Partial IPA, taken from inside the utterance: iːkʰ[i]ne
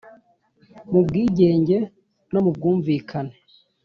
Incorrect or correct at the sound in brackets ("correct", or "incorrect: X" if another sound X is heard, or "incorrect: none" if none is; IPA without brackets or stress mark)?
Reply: incorrect: a